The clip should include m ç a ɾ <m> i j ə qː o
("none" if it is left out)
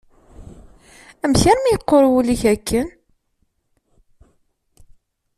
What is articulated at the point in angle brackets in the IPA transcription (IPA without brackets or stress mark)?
m